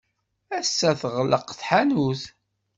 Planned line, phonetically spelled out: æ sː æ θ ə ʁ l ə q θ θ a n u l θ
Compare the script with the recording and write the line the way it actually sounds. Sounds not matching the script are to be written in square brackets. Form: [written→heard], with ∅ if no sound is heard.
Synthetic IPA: æ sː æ θ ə ʁ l ə q θ [θ→ħ] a n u [l→∅] θ